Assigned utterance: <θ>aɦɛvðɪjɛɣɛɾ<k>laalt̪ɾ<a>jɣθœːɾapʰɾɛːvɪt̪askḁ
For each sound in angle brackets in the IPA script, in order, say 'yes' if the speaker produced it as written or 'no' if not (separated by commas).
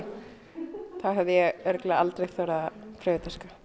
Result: yes, yes, no